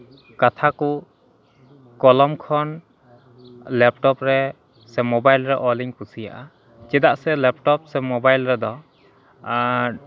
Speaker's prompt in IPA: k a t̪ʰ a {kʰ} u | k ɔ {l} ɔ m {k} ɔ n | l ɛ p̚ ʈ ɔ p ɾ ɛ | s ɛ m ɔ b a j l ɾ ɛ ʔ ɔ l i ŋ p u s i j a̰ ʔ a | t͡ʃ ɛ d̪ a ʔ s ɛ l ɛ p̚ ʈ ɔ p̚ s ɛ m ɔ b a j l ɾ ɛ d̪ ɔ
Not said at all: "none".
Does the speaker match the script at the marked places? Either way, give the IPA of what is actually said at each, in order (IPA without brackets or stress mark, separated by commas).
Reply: k, l, kʰ